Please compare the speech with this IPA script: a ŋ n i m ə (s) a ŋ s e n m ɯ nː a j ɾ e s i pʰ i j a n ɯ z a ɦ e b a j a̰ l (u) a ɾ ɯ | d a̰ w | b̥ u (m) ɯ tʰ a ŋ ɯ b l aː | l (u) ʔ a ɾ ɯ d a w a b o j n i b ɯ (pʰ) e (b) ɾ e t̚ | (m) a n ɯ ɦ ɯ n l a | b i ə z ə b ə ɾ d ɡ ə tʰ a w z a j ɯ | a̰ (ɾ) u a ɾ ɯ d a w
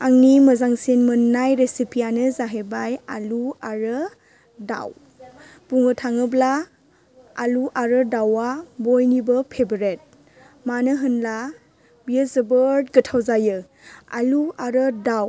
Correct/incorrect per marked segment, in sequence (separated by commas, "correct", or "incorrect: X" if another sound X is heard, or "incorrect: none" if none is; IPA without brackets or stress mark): incorrect: z, correct, incorrect: ŋ, correct, correct, correct, correct, incorrect: l